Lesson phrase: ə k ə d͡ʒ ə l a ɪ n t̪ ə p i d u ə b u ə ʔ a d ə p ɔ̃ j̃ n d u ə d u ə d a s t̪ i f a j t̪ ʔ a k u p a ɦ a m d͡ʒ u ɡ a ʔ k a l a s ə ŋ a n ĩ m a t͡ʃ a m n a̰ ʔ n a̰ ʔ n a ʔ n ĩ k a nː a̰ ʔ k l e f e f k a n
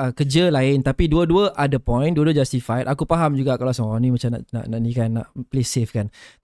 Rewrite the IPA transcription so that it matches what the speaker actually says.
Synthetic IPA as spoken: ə k ə d͡ʒ ə l a ɪ n t̪ a p i d u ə d u ə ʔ a d ə p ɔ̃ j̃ n d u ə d u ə d͡ʒ a s t̪ i f a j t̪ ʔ a k u p a ɦ a m d͡ʒ u ɡ a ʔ k a l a s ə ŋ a n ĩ m a t͡ʃ a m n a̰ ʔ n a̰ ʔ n a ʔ n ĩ k a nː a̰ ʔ p l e s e f k a n